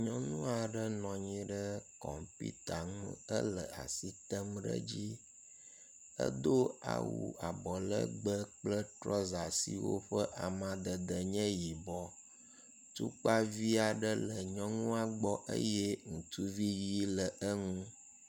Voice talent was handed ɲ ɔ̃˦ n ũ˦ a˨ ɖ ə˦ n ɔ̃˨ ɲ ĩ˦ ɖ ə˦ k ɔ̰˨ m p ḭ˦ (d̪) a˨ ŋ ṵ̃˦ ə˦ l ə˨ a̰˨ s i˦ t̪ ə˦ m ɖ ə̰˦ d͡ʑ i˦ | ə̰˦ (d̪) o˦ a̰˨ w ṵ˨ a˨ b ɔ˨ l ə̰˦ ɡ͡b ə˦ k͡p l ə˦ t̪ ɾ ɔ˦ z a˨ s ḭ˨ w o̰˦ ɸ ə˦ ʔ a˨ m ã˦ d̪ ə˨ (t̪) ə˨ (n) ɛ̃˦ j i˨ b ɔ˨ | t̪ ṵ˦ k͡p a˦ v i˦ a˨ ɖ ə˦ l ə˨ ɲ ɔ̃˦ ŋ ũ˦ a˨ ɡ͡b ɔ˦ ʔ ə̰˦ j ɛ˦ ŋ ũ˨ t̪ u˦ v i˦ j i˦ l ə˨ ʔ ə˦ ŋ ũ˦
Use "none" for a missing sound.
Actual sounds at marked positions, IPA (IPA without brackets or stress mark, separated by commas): t̪, d̪, d̪, ɲ